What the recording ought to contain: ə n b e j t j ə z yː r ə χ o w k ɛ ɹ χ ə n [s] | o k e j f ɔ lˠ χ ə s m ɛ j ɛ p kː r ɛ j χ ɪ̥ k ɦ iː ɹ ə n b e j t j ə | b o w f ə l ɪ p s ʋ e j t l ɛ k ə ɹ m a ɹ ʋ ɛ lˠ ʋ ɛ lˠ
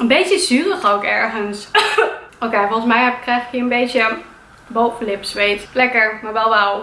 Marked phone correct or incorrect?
correct